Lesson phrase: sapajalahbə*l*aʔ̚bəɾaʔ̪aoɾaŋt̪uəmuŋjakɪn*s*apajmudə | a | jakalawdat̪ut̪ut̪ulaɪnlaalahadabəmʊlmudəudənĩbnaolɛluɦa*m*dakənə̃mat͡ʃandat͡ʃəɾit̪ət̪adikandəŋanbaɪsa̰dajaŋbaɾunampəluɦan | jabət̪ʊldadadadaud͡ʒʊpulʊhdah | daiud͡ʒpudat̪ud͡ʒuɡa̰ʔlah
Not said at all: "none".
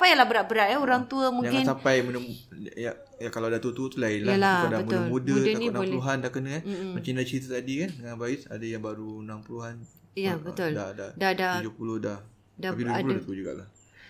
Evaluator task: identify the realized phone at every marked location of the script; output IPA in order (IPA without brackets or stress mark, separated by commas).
ɾ, s, n